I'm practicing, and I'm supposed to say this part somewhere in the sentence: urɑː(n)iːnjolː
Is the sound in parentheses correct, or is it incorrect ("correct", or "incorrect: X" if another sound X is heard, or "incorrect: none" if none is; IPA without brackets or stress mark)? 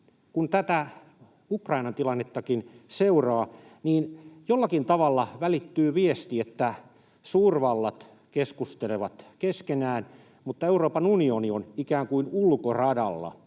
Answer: correct